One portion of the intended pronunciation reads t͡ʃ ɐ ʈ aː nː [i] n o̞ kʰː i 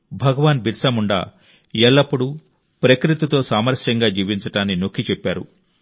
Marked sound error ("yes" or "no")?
no